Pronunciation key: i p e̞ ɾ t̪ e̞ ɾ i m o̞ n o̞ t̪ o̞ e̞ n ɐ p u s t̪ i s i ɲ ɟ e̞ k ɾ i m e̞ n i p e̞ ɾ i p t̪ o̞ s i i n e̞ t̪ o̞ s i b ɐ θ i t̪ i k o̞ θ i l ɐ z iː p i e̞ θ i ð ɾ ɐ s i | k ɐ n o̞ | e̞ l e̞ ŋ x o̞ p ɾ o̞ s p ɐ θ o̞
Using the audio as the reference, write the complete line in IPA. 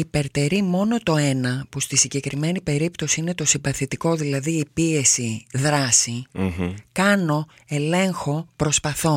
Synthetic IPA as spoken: i p e̞ ɾ t̪ e̞ ɾ i m o̞ n o̞ t̪ o̞ e̞ n ɐ p u s t̪ i s i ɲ ɟ e̞ k ɾ i m e̞ n i p e̞ ɾ i p t̪ o̞ s i i n e̞ t̪ o̞ s i b ɐ θ i t̪ i k o̞ ð i l ɐ ð iː p i e̞ s i ð ɾ ɐ s i | k ɐ n o̞ | e̞ l e̞ ŋ x o̞ p ɾ o̞ s p ɐ θ o̞